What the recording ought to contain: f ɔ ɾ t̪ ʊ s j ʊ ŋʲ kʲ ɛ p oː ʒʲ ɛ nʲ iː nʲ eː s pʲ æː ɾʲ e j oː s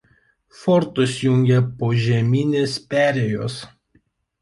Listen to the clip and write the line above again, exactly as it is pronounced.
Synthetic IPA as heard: f ɔ ɾ t̪ ʊ s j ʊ ŋʲ ɡʲ ɛ p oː ʒʲ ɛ mʲ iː nʲ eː s pʲ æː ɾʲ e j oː s